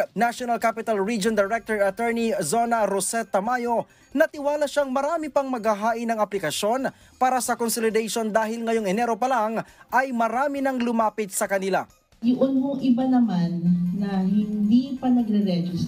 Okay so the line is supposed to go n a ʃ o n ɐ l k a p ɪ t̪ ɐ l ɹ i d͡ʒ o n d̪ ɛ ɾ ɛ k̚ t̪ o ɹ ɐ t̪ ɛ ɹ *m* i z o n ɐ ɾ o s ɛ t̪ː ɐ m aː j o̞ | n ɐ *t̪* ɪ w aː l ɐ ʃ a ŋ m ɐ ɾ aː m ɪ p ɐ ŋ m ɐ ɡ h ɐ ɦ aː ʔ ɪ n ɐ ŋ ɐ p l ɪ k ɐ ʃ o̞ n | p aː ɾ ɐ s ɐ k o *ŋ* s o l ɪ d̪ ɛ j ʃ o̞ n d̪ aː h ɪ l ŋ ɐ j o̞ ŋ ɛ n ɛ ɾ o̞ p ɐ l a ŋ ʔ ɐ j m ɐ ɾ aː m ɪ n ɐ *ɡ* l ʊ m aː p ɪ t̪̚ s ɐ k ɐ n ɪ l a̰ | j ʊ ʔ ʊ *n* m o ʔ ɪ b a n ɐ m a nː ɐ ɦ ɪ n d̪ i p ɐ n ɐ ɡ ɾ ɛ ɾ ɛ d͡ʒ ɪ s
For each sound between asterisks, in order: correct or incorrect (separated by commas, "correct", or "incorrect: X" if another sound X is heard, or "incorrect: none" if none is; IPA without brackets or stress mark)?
incorrect: n, correct, incorrect: n, incorrect: ŋ, correct